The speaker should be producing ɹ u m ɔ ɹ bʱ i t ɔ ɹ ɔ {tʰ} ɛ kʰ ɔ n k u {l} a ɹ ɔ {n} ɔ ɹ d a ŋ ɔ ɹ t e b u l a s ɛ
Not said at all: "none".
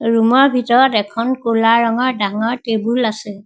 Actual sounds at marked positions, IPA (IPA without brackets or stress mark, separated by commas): t, l, ŋ